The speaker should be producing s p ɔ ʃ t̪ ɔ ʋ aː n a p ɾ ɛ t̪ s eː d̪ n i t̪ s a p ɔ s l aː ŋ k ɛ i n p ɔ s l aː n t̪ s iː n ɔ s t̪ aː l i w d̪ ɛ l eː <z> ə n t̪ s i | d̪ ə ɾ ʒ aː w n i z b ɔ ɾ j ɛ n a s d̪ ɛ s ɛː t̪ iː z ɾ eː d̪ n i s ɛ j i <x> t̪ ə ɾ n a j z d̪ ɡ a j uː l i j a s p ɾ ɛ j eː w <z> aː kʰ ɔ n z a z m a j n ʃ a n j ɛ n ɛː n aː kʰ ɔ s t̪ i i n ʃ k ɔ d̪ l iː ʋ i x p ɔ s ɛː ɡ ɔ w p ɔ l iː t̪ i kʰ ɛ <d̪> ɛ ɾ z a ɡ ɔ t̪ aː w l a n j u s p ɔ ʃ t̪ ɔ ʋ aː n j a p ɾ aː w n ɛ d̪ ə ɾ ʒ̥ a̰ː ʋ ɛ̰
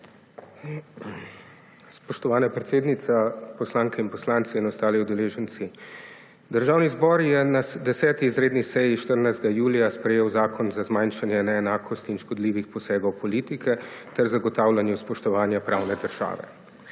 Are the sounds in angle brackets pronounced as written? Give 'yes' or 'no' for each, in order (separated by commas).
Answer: no, no, yes, no